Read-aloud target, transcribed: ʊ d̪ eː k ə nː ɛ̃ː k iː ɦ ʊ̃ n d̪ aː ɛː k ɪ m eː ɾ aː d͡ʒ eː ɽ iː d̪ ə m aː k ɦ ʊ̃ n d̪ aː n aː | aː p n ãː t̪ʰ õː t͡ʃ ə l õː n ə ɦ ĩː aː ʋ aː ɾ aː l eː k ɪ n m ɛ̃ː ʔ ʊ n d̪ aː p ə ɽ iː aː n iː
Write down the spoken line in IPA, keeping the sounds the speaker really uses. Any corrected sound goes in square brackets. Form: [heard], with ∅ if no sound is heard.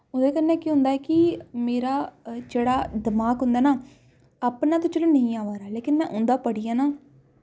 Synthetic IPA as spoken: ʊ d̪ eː k ə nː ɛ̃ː k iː ɦ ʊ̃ n d̪ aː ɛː k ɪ m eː ɾ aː d͡ʒ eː ɽ [aː] d̪ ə m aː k ɦ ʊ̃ n d̪ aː n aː | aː p n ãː [t̪] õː t͡ʃ ə l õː n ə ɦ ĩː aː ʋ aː ɾ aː l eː k ɪ n m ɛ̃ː ʔ ʊ n d̪ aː p ə ɽ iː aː n [aː]